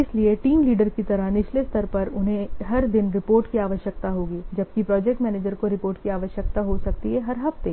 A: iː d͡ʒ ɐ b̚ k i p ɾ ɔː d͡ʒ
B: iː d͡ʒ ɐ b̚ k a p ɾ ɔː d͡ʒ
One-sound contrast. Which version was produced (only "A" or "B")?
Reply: A